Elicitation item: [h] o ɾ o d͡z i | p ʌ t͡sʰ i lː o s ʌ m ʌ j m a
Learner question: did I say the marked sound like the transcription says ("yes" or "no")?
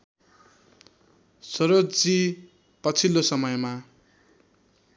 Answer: no